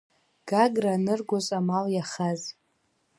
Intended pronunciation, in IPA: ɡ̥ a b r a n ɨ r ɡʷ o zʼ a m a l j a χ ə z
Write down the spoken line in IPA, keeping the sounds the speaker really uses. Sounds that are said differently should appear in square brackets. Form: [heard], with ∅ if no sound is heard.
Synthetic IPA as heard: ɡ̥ a [ɡ] r a n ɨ r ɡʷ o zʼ a m a l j a χ [a] z